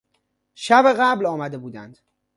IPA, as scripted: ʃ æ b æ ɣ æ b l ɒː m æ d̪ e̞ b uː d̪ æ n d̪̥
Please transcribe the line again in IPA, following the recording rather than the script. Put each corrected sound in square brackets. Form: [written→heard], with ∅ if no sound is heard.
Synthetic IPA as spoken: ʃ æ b [æ→e] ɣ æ b l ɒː m æ d̪ e̞ b uː d̪ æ n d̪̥